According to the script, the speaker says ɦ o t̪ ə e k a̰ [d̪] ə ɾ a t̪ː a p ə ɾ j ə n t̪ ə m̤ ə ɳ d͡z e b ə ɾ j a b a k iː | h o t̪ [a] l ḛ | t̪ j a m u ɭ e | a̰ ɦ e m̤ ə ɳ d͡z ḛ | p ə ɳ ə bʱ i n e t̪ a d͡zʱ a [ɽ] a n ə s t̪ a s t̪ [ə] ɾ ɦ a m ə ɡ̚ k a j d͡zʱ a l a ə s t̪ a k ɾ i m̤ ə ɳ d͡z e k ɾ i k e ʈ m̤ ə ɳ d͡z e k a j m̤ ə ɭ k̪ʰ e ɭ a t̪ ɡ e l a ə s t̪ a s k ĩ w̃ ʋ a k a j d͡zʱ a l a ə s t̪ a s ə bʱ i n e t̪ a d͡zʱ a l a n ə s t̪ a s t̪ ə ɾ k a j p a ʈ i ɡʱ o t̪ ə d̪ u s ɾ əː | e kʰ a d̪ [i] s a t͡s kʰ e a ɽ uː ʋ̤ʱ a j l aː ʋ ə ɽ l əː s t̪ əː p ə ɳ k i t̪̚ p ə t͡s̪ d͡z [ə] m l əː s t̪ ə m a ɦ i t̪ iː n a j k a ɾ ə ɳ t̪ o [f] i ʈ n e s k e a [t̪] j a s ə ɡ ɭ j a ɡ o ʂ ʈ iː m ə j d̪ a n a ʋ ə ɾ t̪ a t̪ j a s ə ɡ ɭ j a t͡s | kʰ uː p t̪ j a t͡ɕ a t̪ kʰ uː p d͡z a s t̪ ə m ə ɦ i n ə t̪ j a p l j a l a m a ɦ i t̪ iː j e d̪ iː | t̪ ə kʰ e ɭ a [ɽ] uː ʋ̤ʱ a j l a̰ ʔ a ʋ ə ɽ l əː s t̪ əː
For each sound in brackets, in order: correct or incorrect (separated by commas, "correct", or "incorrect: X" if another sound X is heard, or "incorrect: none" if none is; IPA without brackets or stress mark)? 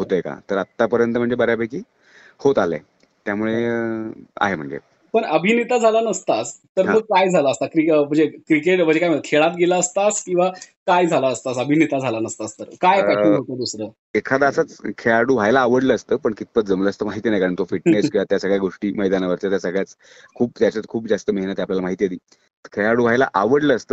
incorrect: t̪, correct, incorrect: l, correct, incorrect: a, correct, correct, correct, correct